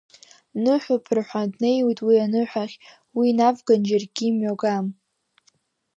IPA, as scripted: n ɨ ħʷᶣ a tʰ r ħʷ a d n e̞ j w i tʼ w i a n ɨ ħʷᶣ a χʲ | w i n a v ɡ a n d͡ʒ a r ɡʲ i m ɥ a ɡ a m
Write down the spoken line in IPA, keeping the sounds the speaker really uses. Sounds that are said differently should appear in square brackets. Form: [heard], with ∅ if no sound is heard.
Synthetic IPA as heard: n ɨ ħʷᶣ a [pʰ] r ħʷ a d n e̞ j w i tʼ w i a n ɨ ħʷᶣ a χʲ | w i n a v ɡ a n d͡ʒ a r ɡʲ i m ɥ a ɡ a m